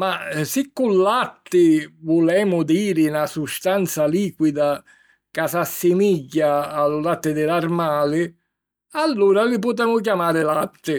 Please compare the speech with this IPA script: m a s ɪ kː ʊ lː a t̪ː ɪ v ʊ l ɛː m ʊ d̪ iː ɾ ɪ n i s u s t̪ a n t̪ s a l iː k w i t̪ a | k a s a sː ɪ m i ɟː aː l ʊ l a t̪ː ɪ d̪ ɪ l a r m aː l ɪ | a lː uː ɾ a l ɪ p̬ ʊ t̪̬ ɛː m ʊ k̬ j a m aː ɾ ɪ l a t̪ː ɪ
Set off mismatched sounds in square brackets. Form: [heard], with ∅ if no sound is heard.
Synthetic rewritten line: m a s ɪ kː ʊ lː a t̪ː ɪ v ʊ l ɛː m ʊ d̪ iː ɾ ɪ n [a] s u s t̪ a n t̪ s a l iː k w i [d̪] a | k a s a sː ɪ m i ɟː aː l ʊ l a t̪ː ɪ d̪ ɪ l a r m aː l ɪ | a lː uː ɾ a l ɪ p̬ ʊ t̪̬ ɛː m ʊ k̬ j a m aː ɾ ɪ l a t̪ː ɪ